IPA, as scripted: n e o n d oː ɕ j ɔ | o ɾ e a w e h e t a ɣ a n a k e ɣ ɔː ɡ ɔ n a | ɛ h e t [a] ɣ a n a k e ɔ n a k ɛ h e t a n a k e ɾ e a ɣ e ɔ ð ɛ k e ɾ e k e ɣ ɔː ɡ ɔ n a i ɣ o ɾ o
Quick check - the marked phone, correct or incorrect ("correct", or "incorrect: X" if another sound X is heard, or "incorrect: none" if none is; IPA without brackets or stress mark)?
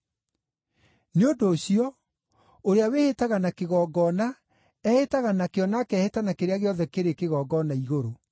correct